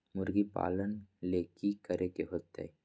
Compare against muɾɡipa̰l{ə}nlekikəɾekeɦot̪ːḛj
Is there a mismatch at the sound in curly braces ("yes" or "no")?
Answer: no